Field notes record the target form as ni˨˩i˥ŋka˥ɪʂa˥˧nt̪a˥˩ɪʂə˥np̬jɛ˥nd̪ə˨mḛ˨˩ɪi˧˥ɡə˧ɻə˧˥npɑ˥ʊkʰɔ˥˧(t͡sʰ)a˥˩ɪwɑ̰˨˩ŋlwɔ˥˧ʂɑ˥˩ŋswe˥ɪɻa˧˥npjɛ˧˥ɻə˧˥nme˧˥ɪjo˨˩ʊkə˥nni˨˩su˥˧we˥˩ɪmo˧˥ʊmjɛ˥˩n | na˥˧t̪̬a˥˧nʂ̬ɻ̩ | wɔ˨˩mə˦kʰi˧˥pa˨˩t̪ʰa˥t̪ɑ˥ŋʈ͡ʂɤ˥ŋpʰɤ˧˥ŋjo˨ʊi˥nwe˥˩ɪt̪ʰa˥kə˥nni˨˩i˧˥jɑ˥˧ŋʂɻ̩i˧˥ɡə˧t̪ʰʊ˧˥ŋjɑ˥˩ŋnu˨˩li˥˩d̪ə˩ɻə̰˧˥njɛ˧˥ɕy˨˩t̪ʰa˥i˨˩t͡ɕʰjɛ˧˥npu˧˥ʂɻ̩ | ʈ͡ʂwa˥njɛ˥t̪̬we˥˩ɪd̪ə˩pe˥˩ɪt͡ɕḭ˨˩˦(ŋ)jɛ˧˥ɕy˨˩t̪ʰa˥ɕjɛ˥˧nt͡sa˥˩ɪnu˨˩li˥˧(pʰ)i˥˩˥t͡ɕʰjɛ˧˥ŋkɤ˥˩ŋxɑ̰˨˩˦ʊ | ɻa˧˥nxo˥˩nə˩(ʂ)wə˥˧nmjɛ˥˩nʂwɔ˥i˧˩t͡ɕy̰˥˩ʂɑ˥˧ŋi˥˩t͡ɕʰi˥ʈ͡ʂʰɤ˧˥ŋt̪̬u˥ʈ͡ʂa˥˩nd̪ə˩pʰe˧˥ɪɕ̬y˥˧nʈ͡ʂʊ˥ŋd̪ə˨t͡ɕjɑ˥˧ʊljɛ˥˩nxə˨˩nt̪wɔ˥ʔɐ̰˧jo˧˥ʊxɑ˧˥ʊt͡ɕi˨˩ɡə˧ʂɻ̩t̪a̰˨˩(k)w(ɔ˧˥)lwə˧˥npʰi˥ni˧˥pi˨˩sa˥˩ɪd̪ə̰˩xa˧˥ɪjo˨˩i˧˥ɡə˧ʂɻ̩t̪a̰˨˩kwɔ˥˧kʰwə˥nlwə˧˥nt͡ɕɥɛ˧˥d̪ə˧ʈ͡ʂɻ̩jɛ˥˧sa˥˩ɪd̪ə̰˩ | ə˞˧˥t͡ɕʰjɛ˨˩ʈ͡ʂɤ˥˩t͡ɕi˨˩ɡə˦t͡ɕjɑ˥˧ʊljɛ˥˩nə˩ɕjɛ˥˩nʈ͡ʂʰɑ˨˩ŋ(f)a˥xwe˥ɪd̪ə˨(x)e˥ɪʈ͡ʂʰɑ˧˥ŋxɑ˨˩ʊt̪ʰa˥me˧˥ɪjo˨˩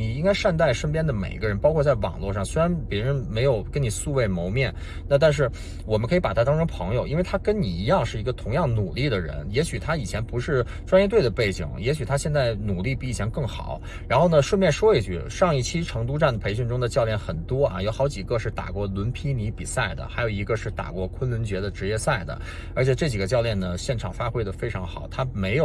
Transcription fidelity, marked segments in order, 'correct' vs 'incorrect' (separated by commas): incorrect, correct, incorrect, correct, correct, incorrect, correct, incorrect